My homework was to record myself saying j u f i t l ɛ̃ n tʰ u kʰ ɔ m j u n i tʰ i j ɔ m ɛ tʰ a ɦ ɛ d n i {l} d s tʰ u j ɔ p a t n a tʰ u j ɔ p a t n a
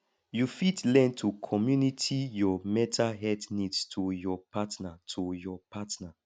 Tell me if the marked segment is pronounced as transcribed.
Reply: no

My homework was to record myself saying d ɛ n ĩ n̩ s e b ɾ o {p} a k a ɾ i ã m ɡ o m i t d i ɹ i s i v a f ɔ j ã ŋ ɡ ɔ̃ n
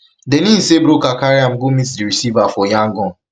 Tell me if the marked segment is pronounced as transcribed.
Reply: no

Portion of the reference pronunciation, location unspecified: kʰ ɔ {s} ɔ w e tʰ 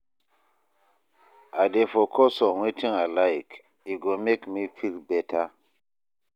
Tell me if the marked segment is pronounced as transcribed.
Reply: yes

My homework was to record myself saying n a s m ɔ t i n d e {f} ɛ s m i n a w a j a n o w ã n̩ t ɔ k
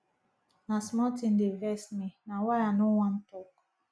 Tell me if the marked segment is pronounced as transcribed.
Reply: no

